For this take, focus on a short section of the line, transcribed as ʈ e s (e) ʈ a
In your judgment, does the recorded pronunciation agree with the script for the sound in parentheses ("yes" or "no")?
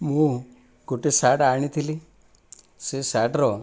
no